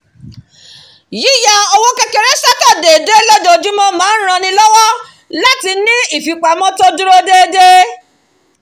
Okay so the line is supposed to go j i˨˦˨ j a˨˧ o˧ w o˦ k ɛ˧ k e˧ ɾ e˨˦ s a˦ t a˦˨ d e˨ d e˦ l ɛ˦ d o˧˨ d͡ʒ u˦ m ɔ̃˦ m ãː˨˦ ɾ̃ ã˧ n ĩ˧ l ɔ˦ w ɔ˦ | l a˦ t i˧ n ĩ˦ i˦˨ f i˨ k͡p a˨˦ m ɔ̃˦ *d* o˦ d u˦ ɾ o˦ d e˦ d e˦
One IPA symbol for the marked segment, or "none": t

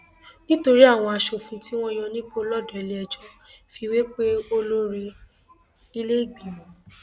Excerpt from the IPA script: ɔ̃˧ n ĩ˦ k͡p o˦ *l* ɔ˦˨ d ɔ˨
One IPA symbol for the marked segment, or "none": l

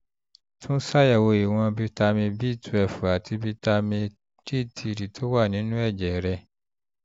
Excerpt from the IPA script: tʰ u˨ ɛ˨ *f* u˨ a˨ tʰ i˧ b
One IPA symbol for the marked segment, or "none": f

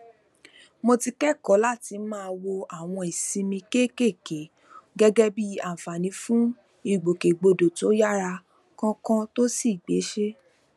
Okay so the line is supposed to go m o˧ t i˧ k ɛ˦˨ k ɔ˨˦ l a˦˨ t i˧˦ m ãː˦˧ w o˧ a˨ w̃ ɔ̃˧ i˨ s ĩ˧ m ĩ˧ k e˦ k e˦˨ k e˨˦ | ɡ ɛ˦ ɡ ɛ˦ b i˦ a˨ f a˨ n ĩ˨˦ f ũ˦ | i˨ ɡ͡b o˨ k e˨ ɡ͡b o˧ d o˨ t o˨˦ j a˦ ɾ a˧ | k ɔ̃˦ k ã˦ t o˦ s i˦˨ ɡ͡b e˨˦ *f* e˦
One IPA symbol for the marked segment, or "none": ʃ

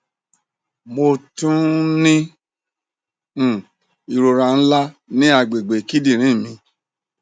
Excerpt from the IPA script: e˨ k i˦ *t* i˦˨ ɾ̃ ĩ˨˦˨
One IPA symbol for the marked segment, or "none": d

